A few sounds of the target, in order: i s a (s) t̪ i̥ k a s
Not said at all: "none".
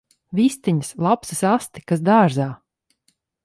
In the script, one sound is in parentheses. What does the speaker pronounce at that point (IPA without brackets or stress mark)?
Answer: s